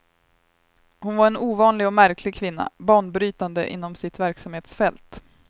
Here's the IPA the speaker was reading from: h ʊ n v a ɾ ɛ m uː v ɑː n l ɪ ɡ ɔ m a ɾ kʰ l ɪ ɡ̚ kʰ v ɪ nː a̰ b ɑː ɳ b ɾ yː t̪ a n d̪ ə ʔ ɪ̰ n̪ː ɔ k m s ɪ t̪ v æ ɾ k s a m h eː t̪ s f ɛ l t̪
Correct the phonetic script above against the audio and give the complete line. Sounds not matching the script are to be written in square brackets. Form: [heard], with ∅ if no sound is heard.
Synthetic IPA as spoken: h ʊ n v a ɾ ɛ [n] uː v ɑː n l ɪ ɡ ɔ m [æ] ɾ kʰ l ɪ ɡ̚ kʰ v ɪ nː a̰ b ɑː ɳ b ɾ yː t̪ a n d̪ ə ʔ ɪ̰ n̪ː ɔ [∅] m s ɪ t̪ v æ ɾ k s a m h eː t̪ s f ɛ l t̪